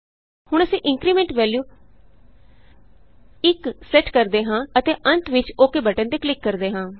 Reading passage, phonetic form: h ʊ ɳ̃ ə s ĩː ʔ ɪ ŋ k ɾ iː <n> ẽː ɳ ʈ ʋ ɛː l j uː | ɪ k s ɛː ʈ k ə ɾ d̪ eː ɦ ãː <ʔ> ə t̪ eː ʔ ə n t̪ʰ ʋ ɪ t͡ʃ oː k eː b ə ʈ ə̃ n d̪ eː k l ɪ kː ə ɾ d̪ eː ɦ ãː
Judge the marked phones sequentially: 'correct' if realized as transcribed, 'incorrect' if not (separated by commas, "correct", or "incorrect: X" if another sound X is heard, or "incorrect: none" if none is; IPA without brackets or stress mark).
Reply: incorrect: m, incorrect: none